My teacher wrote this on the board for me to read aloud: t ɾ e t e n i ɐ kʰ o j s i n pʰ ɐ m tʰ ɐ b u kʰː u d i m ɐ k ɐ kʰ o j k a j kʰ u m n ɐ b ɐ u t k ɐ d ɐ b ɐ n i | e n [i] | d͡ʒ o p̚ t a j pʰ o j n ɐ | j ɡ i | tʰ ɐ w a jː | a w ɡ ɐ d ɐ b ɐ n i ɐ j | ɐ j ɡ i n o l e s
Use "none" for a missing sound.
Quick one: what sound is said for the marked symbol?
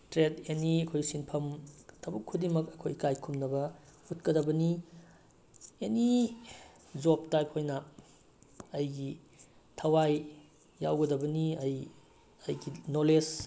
i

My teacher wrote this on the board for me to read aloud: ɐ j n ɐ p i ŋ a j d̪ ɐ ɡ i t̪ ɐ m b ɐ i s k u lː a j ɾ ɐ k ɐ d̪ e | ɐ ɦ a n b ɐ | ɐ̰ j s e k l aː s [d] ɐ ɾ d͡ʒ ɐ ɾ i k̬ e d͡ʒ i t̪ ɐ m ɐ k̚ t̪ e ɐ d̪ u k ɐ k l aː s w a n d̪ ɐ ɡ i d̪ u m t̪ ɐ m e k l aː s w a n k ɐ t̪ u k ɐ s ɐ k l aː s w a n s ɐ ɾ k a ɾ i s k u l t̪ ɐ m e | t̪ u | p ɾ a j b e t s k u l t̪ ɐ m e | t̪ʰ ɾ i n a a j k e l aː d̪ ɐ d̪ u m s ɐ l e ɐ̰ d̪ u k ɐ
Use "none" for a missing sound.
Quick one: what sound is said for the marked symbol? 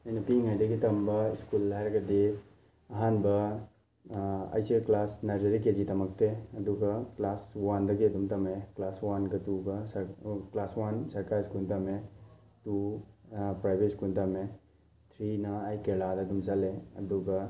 n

